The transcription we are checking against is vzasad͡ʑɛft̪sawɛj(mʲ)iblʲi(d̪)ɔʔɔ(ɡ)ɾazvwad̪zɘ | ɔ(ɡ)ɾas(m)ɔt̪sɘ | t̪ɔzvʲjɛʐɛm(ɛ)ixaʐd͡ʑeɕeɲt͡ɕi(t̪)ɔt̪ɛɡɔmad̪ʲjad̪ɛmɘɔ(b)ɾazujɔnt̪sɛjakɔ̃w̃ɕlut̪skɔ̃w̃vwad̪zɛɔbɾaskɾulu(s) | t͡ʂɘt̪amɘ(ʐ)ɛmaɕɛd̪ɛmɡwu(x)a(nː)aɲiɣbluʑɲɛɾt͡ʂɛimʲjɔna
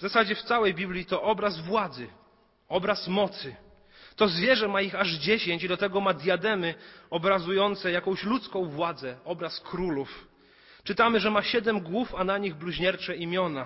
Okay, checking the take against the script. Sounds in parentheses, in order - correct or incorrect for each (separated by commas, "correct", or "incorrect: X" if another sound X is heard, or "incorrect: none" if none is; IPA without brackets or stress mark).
incorrect: bʲ, incorrect: t̪, incorrect: b, incorrect: b, correct, incorrect: a, incorrect: d̪, correct, incorrect: f, correct, incorrect: f, incorrect: n